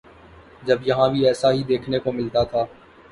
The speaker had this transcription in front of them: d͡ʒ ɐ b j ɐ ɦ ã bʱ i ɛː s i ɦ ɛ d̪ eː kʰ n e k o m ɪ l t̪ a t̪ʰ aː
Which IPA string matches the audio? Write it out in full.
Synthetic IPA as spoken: d͡ʒ ɐ b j ɐ ɦ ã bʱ i ɛː s a ɦ i d̪ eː kʰ n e k o m ɪ l t̪ a t̪ʰ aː